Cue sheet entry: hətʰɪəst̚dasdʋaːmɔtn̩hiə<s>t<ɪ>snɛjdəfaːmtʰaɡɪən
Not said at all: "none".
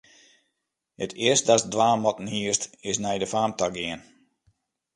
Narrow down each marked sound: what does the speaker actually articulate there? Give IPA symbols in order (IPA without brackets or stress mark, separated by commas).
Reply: s, ɪ